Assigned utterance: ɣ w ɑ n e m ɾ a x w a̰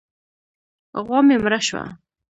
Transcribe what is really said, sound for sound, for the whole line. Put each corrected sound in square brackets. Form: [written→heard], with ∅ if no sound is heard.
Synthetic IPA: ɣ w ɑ [n→m] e m ɾ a [x→ʃ] w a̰

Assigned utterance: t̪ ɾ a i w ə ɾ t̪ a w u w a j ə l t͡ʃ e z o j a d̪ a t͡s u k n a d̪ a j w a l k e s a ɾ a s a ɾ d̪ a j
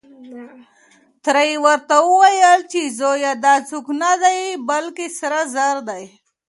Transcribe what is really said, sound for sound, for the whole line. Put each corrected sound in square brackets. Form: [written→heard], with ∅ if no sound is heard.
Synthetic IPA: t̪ ɾ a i w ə ɾ t̪ a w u w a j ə l t͡ʃ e z o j a d̪ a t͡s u k n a d̪ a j [w→b] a l k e s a ɾ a [s→z] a ɾ d̪ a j

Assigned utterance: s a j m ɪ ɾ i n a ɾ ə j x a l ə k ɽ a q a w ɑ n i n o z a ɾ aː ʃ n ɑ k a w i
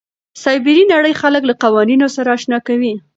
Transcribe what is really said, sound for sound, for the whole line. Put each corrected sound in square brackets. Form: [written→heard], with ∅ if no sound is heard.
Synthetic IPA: s [a→ɑ] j [m→b] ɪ ɾ i n a [ɾ→ɽ] ə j x a l ə k [ɽ→l] a q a w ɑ n i n o [z→s] a ɾ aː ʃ n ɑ k a w i

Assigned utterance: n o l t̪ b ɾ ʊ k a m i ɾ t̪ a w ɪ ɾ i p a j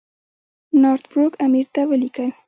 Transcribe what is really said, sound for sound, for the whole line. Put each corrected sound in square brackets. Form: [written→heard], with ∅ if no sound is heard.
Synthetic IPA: n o [l→ɾ] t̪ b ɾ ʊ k a m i ɾ t̪ a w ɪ [ɾ→l] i [p→k] a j

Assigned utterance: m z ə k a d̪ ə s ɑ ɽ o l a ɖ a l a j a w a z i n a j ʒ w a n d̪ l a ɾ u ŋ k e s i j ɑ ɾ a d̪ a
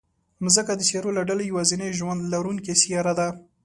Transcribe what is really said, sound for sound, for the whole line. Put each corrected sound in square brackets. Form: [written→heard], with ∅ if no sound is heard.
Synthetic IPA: m z ə k a d̪ ə s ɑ [ɽ→ɾ] o l a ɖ a l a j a w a z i n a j ʒ w a n d̪ l a ɾ u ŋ k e s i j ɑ ɾ a d̪ a

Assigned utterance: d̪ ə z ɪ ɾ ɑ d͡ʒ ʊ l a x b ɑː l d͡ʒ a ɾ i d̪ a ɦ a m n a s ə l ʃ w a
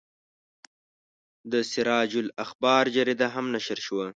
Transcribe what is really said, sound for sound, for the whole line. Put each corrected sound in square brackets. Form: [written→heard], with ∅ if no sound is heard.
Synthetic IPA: d̪ ə [z→s] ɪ ɾ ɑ d͡ʒ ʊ l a x b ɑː [l→ɾ] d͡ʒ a ɾ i d̪ a ɦ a m n a [s→ʃ] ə [l→ɾ] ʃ w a

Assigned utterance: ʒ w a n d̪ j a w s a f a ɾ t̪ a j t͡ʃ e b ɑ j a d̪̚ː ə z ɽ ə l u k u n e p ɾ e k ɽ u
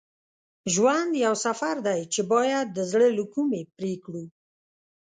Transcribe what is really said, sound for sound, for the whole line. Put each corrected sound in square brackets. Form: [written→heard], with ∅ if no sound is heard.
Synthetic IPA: ʒ w a n d̪ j a w s a f a ɾ [t̪→d̪] a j t͡ʃ e b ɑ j a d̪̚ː ə z ɽ ə l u k u [n→m] e p ɾ e k ɽ u

